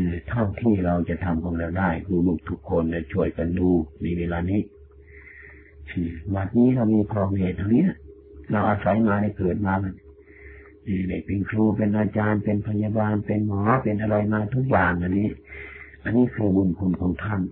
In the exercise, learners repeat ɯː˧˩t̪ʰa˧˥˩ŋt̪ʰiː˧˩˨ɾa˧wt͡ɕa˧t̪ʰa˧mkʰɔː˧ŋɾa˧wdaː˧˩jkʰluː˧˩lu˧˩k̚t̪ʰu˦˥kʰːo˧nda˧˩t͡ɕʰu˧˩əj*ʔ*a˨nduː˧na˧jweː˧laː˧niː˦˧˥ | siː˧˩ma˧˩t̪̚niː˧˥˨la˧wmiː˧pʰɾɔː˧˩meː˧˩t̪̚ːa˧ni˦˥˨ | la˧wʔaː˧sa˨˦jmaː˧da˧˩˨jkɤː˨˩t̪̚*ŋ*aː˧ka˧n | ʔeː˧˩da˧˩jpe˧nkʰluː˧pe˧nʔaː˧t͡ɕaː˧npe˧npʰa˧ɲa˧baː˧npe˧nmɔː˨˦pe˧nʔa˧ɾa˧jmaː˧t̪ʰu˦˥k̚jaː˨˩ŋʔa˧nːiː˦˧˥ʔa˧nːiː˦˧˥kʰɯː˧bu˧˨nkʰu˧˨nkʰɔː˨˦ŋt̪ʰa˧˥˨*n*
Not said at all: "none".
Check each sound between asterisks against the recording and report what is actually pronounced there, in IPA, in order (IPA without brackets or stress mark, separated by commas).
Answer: k, m, n